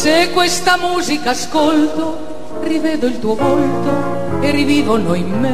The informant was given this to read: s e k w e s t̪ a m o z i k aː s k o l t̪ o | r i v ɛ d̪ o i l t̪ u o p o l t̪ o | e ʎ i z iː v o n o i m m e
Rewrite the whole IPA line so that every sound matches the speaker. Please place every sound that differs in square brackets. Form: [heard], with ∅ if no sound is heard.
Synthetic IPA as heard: s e k w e s t̪ a m [u] z i k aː s k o l t̪ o | r i v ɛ d̪ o i l t̪ u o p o l t̪ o | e [r] i [v] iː v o n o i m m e